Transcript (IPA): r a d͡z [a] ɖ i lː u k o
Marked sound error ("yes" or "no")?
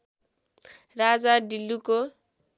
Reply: no